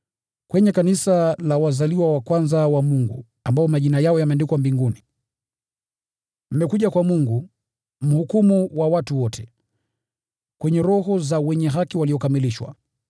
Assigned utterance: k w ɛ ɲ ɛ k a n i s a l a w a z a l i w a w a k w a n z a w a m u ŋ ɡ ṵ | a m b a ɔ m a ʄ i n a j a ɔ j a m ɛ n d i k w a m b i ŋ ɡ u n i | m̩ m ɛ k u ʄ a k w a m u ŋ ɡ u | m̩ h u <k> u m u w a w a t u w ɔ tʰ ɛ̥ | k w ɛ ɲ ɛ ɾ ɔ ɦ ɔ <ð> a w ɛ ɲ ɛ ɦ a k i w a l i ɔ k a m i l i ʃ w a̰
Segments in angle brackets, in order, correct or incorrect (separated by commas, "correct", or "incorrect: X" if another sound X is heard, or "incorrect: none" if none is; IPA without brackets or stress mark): correct, incorrect: z